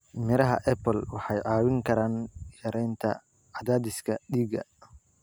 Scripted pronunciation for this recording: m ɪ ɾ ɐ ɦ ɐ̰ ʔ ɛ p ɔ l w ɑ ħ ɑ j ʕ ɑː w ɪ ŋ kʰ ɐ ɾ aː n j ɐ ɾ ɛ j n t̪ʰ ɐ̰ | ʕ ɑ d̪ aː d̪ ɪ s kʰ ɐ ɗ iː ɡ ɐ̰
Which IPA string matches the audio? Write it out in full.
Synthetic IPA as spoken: m ɪ ɾ ɐ ɦ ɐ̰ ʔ ɛ p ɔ l w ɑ ħ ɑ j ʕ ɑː w ɪ ŋ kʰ ɐ ɾ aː n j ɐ ɾ ɛ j n t̪ʰ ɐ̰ | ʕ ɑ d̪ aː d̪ ɪ s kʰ ɐ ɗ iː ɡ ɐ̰

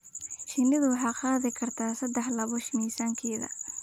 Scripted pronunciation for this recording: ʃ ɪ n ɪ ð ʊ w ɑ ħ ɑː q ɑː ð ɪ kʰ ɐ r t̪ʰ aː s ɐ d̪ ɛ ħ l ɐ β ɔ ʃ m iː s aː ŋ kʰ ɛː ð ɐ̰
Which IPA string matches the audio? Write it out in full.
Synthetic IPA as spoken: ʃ ɪ n ɪ ð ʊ w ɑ ħ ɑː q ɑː ð ɪ kʰ ɐ r t̪ʰ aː s ɐ d̪ ɛ ħ l ɐ β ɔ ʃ m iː s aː ŋ kʰ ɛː ð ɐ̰

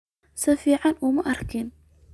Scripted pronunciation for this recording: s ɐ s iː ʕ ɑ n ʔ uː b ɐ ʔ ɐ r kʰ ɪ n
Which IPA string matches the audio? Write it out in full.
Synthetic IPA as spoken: s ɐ f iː ʕ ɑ n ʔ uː m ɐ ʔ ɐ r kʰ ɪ n

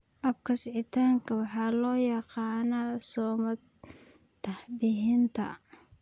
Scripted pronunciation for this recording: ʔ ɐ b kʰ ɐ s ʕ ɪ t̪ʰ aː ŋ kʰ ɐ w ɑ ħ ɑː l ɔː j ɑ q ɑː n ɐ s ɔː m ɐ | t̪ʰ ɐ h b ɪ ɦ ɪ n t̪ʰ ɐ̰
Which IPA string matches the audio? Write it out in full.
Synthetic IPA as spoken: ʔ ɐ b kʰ ɐ s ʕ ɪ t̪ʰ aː ŋ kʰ ɐ w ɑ ħ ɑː l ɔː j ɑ q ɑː n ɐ s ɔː m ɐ | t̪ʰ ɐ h b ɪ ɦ ɪ n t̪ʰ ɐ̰

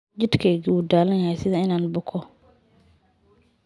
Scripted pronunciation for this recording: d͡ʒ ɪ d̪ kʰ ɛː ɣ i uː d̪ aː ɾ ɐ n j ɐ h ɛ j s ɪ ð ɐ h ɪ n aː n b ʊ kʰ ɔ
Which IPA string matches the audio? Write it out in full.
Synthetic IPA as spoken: d͡ʒ ɪ d̪ kʰ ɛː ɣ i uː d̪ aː l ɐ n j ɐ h ɛ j s ɪ ð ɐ ɪ n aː n b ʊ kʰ ɔ

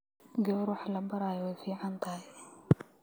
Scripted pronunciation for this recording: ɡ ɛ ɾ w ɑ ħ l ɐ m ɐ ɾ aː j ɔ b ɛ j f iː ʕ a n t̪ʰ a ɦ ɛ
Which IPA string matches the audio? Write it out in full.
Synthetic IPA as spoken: ɡ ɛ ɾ w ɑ ħ l ɐ b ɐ ɾ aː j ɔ w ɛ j f iː ʕ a n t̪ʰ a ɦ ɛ

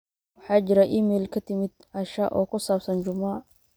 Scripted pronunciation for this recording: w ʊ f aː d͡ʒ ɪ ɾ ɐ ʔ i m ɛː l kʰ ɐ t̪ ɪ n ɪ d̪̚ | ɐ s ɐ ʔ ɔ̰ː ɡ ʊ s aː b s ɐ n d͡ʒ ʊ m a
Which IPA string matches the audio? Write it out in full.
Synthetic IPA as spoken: w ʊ ħ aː d͡ʒ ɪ ɾ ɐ ʔ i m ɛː l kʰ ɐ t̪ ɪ m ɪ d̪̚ | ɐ ʃ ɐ ʔ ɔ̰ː k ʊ s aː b s ɐ n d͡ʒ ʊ m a

